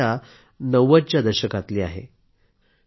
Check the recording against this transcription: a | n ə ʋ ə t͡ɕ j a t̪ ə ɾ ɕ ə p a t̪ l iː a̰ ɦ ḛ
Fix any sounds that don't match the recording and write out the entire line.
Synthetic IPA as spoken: a | n ə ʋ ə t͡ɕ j a d̪ ə ɾ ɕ ə k a t̪ l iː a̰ ɦ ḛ